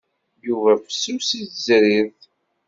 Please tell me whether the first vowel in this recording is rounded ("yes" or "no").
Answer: yes